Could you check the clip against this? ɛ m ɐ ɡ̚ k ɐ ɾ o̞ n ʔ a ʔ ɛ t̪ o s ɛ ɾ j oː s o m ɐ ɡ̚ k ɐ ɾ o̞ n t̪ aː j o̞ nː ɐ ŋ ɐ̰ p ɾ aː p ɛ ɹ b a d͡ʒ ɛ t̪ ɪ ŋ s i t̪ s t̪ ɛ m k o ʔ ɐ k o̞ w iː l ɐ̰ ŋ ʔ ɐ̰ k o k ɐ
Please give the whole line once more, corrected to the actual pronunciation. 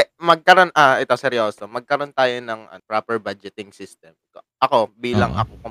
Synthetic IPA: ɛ m ɐ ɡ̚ k ɐ ɾ o̞ n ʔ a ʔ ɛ t̪ o s ɛ ɾ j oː s o m ɐ ɡ̚ k ɐ ɾ o̞ n t̪ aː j o̞ n ɐ ŋ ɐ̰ p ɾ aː p ɛ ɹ b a d͡ʒ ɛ t̪ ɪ ŋ s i s t̪ ɛ m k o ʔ ɐ k o̞ b iː l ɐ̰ ŋ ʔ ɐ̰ k o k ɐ